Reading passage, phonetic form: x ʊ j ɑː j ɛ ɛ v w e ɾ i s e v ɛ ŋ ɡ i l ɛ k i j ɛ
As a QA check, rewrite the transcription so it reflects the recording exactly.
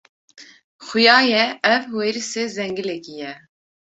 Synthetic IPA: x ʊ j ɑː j ɛ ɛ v w e ɾ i s e z ɛ ŋ ɡ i l ɛ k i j ɛ